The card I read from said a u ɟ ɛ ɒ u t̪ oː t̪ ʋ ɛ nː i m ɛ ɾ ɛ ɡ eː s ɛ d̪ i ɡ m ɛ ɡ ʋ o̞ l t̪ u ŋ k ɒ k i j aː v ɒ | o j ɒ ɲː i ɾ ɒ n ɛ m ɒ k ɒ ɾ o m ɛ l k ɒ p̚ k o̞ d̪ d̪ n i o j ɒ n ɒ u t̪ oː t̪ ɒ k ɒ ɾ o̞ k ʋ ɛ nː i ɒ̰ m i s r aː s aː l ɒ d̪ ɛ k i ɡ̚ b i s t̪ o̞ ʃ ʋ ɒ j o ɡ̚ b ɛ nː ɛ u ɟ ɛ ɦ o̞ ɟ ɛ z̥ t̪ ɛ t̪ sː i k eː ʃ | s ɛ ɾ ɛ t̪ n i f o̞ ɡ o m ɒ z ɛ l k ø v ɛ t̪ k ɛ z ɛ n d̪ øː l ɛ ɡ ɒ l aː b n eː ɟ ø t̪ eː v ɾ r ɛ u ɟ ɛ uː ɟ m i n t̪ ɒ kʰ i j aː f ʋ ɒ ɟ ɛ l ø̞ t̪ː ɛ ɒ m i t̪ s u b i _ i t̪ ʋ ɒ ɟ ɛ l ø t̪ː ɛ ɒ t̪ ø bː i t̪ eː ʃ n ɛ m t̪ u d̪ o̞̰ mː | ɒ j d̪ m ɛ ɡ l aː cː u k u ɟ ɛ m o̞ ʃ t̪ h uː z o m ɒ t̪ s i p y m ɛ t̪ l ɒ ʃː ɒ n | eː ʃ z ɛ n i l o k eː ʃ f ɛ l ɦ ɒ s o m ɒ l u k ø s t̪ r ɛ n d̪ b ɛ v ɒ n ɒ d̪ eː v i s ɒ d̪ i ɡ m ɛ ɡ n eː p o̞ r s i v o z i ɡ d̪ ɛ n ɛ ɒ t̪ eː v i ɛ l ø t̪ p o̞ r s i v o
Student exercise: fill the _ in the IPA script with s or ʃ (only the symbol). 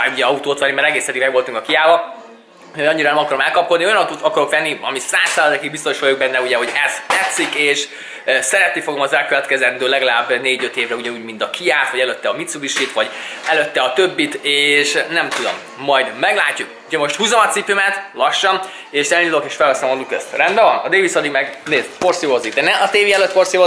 ʃ